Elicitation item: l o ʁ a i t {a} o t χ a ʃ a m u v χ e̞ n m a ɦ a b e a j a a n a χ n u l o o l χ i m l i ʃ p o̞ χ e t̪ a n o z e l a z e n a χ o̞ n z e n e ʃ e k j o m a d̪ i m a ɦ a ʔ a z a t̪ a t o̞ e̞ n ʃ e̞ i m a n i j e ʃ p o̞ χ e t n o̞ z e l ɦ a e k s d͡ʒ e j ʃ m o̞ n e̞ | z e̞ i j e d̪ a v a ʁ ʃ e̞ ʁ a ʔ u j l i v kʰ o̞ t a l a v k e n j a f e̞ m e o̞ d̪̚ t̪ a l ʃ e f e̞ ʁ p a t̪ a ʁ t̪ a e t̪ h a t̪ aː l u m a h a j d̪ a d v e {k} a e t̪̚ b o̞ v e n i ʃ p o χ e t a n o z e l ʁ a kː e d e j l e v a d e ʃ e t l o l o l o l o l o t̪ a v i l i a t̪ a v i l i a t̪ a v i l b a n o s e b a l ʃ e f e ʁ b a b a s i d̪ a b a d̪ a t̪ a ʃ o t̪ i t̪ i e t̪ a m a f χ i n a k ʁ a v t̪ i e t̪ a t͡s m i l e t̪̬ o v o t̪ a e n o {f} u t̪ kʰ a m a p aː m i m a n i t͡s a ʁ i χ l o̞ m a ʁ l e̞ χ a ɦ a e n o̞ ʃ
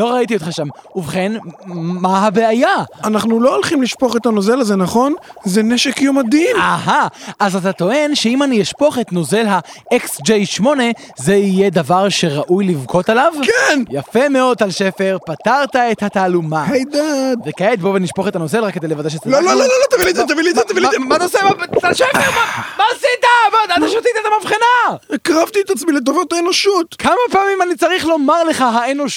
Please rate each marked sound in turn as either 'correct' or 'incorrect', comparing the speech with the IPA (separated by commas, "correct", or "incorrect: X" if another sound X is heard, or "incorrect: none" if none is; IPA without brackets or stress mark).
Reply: incorrect: i, correct, incorrect: ʃ